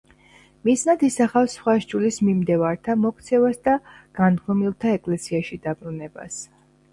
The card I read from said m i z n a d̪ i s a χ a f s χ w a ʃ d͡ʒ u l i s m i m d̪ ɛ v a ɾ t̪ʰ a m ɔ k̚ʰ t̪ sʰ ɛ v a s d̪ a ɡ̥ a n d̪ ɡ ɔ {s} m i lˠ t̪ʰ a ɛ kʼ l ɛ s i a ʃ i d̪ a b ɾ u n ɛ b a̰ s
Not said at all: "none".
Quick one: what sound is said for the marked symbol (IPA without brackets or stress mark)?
none